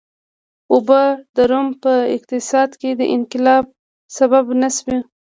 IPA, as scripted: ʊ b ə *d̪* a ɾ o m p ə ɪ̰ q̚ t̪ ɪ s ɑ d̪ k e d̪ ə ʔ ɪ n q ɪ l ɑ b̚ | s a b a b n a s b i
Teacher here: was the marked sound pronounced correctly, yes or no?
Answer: yes